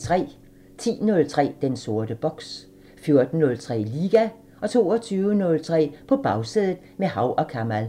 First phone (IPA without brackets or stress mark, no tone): t͡sʰ